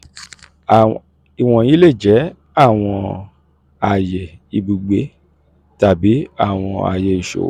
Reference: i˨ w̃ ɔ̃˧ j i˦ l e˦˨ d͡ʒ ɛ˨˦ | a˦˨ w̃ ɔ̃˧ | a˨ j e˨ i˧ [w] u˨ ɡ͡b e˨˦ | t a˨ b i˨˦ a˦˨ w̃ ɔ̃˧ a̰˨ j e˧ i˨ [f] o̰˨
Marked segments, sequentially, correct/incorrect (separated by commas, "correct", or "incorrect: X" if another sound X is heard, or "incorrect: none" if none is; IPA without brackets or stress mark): incorrect: b, incorrect: ʃ